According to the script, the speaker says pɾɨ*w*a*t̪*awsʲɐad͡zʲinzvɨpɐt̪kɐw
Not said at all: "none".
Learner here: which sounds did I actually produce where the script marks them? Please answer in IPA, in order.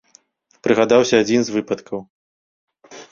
ɣ, d̪

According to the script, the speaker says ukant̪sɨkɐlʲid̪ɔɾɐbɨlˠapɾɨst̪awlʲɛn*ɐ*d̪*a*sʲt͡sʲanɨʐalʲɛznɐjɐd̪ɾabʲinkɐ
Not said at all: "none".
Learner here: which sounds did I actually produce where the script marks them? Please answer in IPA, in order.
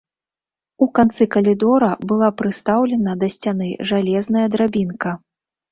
ɐ, ɐ

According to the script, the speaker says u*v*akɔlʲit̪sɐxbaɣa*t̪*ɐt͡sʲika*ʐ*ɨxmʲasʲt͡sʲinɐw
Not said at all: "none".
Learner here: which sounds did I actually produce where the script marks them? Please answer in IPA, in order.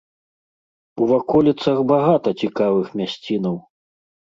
v, t̪, v

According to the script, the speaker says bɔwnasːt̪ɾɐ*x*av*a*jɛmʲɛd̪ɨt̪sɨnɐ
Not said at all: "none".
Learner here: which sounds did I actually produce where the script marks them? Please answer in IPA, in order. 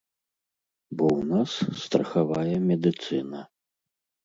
x, a

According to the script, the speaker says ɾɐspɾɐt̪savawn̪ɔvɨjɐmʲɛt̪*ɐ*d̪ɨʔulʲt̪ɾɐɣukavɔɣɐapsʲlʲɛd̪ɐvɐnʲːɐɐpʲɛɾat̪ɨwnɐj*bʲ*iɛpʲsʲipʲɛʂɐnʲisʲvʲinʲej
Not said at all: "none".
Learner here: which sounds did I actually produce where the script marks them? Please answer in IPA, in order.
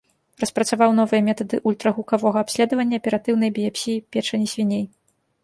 ɐ, bʲ

